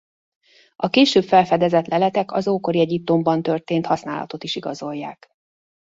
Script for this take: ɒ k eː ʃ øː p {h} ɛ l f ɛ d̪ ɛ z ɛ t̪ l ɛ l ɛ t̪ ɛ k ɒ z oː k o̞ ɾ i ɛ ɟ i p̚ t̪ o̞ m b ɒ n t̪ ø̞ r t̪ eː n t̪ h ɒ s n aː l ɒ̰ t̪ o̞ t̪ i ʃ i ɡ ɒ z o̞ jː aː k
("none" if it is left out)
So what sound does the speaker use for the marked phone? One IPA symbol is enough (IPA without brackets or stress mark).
f